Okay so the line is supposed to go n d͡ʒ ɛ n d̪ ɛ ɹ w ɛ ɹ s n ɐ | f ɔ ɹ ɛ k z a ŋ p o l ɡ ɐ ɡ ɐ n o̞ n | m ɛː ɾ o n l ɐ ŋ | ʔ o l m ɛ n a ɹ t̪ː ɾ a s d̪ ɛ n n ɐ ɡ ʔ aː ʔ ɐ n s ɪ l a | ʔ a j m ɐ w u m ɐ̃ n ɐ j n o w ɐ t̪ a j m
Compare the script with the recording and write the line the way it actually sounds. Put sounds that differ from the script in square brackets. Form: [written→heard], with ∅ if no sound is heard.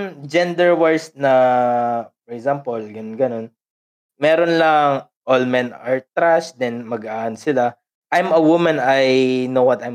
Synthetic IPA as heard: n d͡ʒ ɛ n d̪ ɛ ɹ w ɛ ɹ s n ɐ | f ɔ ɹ ɛ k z a [ŋ→m] p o l ɡ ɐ ɡ ɐ n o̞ n | m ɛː ɾ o n l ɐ ŋ | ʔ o l m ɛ n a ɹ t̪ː ɾ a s d̪ ɛ n [n→m] ɐ ɡ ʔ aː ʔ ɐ n s ɪ l a | ʔ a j m ɐ w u m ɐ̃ n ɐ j n o w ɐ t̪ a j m